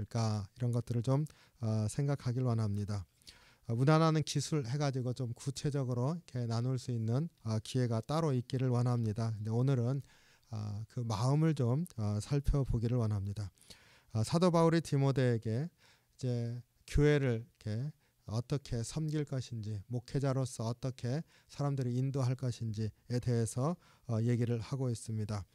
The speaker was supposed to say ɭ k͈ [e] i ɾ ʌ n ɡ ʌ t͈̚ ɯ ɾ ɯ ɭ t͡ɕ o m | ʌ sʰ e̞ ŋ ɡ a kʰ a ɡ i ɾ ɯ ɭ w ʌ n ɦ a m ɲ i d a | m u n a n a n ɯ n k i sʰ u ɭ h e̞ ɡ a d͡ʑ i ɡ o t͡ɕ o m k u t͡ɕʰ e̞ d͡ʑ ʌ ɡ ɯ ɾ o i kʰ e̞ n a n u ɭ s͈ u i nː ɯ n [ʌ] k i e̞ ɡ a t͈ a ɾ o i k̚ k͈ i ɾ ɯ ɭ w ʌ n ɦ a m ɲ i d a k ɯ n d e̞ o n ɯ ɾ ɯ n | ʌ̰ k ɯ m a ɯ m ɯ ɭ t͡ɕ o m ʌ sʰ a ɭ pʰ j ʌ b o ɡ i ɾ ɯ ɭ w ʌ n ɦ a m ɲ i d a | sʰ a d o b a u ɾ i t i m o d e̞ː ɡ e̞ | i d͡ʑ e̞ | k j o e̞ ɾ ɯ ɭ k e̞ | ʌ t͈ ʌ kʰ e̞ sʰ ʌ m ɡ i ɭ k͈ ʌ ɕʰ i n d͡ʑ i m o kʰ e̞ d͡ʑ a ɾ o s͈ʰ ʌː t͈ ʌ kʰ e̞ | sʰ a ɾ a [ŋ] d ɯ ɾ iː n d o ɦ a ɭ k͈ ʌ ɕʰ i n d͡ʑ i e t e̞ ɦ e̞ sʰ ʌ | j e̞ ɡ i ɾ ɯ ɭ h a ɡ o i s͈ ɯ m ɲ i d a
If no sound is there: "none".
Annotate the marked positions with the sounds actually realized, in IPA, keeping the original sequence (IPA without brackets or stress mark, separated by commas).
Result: a, ʌ, m